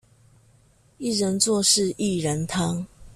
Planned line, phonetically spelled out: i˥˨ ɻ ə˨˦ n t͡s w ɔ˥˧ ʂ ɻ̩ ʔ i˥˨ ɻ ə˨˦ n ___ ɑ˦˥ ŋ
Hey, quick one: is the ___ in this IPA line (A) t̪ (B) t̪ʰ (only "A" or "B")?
B